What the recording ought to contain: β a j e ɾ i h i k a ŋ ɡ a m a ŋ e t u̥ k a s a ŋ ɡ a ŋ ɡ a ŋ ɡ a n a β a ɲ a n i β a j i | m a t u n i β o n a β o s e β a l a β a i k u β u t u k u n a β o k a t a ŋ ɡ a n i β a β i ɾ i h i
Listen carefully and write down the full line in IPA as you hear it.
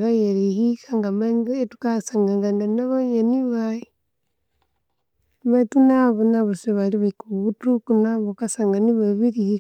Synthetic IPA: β a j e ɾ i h i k a ŋ ɡ a m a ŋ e t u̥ k a s a ŋ ɡ a ŋ ɡ a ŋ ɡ a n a β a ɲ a n i β a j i | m a t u n a β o n a β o s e β a l i β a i k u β u t u k u n a β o k a s a ŋ ɡ a n i β a β i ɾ i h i

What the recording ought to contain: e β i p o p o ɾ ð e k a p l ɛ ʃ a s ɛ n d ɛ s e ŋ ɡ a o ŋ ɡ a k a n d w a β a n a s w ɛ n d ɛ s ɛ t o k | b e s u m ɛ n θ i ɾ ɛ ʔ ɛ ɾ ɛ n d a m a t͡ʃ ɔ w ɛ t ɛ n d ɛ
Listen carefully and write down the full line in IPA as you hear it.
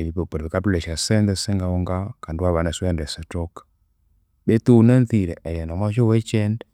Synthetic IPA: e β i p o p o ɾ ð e k a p l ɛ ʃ a s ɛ n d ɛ s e ŋ ɡ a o ŋ ɡ a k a n d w a β a n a s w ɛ n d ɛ s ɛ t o k | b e t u n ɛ n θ i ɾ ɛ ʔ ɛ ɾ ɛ n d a m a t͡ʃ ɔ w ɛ t͡ʃ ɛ n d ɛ

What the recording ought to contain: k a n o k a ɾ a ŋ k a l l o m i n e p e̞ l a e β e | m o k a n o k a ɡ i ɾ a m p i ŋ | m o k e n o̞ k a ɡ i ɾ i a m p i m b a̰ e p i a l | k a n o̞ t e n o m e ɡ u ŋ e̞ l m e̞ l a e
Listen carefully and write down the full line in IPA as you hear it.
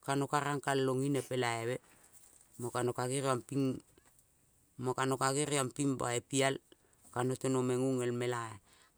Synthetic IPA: k a n o k a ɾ a ŋ k a l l o ŋ i n e p e̞ l a e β e | m o k a n o k a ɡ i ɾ a m p i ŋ | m o k a n o̞ k a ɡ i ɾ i a m p i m b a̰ e p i a l | k a n o̞ t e n o m e ŋ u ŋ e̞ l m e̞ l a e

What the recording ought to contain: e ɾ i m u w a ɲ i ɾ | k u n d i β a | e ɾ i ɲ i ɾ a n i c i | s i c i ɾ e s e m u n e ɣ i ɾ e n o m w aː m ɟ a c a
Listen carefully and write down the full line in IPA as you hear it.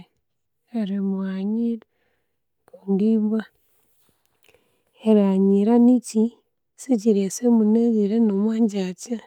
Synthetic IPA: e ɾ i m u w a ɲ i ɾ | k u n d i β a | e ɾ a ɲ i ɾ a n i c i | s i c i ɾ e s e m u n e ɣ i ɾ e n o m w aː ɲ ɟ a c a

